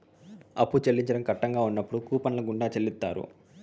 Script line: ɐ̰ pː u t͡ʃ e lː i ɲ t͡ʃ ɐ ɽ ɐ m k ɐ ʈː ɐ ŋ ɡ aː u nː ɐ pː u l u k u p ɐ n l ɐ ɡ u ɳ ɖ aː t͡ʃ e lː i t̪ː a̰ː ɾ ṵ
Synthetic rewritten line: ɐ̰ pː u t͡ʃ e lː i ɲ t͡ʃ ɐ ɽ ɐ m k ɐ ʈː ɐ ŋ ɡ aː u nː ɐ pː u ɽ u k uː p ɐ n l ɐ ɡ u ɳ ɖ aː t͡ʃ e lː i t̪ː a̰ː ɾ ṵ